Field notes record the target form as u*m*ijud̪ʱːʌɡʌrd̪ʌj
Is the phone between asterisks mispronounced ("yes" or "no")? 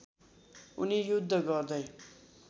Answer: yes